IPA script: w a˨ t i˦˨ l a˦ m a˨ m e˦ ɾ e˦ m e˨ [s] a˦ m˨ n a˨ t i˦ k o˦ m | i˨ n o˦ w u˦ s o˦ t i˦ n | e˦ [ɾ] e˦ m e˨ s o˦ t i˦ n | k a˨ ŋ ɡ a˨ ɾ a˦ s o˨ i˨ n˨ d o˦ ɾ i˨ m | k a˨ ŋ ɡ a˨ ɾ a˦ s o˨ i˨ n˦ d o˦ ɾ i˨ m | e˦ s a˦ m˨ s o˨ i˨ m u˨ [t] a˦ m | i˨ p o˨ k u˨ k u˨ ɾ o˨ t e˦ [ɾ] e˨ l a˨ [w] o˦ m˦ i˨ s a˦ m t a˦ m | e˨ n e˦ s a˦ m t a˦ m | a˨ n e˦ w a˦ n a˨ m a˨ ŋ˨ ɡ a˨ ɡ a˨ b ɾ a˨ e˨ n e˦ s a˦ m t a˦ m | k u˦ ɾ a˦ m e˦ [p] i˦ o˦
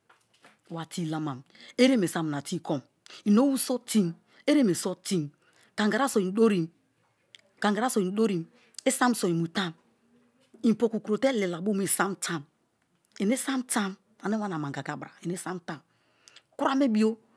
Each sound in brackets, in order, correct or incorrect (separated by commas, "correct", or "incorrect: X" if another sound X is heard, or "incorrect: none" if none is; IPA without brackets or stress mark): correct, correct, correct, incorrect: l, incorrect: b, incorrect: b